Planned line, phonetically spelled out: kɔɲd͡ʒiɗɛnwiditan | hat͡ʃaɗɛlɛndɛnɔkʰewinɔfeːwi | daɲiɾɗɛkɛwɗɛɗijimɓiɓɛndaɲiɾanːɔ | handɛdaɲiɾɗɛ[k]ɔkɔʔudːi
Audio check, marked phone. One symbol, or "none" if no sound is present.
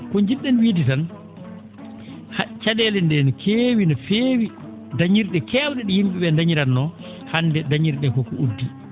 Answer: k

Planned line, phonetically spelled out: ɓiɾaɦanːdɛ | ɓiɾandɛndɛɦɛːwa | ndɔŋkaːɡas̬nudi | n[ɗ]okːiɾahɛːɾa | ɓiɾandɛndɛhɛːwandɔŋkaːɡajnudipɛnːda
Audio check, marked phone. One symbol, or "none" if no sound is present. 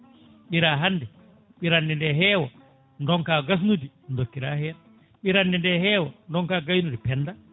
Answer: d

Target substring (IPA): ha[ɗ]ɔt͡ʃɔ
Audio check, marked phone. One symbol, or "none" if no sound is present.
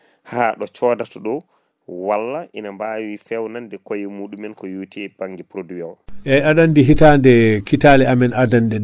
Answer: ɗ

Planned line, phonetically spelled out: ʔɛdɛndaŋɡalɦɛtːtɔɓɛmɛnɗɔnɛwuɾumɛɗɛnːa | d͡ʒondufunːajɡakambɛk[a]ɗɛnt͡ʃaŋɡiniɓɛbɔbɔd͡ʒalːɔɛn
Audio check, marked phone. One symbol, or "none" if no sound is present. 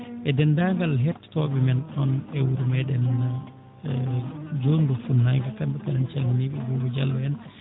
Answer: a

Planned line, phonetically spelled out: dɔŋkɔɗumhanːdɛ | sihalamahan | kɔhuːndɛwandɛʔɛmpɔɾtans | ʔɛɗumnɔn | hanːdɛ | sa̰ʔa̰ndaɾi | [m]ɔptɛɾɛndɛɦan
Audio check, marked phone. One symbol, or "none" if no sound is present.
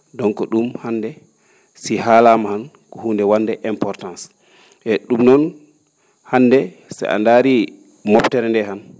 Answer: m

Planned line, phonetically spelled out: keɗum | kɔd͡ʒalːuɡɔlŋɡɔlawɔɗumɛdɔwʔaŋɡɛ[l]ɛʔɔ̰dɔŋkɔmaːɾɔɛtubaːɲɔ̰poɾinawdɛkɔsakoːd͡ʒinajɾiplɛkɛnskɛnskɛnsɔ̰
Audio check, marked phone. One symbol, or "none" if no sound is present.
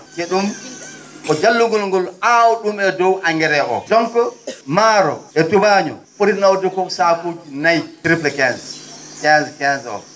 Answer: ɾ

